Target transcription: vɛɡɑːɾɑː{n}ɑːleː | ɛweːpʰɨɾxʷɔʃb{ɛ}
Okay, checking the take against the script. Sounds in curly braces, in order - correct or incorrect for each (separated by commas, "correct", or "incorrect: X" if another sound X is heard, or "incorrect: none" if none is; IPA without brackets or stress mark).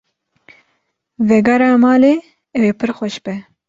incorrect: m, correct